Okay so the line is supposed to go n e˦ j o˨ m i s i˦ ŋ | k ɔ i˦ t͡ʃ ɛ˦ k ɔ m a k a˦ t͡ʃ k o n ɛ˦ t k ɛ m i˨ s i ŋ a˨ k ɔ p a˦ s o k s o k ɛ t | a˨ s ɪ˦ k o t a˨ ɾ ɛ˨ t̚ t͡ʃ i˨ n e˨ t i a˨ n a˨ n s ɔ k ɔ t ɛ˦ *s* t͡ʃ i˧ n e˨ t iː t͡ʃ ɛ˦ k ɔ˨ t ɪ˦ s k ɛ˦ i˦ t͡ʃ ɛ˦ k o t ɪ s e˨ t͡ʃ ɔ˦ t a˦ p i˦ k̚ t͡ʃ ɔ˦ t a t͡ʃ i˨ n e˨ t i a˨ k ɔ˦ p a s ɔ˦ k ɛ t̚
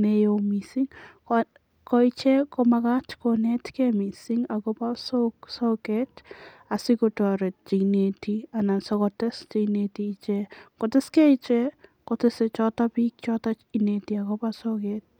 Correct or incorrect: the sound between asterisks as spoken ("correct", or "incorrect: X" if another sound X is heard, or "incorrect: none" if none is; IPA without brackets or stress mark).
correct